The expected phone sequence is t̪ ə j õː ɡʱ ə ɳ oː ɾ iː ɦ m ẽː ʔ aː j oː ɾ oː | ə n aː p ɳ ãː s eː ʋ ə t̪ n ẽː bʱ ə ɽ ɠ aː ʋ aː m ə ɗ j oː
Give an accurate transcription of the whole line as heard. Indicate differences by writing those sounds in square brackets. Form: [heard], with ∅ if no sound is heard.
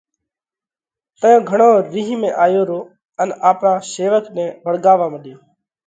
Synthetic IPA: t̪ ə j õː ɡʱ ə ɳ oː ɾ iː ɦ m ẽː ʔ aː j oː ɾ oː | ə n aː p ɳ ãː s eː ʋ ə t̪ n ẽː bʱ ə ɽ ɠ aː ʋ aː m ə ɗ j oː